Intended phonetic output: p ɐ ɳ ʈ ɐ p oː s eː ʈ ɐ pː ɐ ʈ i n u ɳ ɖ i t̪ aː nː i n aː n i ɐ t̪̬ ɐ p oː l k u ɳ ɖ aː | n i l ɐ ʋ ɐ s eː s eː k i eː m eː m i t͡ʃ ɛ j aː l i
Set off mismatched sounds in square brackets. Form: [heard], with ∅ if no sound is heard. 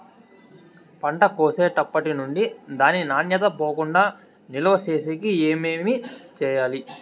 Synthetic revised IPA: p ɐ ɳ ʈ ɐ [k] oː s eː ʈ ɐ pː ɐ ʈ i n u ɳ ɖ i [d̪] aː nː i n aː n [j] ɐ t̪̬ ɐ p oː [∅] k u ɳ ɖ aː | n i l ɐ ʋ ɐ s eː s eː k i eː m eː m i t͡ʃ [ɛː] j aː l i